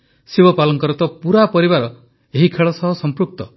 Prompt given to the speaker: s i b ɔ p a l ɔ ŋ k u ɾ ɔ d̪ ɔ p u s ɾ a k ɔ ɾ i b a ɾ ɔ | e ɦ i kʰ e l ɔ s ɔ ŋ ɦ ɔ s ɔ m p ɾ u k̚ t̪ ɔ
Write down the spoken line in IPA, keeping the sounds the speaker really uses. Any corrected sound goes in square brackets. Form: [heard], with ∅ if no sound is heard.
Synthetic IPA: s i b ɔ p a l ɔ ŋ k [ɔ] ɾ ɔ [t̪] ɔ p u [∅] ɾ a [p] ɔ ɾ i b a ɾ ɔ | e ɦ i kʰ e [ɭ] ɔ s ɔ [∅] ɦ ɔ s ɔ m p ɾ u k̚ t̪ ɔ